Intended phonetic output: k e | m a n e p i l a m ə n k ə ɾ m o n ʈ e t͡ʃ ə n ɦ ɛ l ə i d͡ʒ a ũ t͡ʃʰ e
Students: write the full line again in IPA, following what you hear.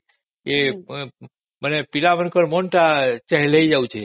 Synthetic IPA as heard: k e | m ə n e p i l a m ə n k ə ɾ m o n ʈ a t͡ʃ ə ɦ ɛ l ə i d͡ʒ a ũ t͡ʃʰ e